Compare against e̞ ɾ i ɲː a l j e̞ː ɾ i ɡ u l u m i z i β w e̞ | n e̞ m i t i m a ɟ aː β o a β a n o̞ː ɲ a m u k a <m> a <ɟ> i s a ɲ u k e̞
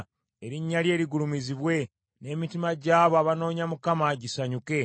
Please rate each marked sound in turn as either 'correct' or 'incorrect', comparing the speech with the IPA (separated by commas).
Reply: correct, correct